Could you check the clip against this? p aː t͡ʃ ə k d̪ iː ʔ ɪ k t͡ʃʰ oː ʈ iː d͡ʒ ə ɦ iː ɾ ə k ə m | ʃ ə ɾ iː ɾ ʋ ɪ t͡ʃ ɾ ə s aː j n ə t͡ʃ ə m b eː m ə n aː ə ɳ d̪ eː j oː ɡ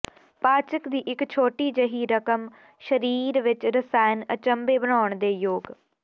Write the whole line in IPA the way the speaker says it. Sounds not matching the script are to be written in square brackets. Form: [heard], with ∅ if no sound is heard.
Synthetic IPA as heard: p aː t͡ʃ ə k d̪ iː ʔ ɪ k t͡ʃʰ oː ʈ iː d͡ʒ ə ɦ iː ɾ ə k ə m | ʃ ə ɾ iː ɾ ʋ ɪ t͡ʃ ɾ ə s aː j n ə t͡ʃ ə m b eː [b] ə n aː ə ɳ d̪ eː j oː ɡ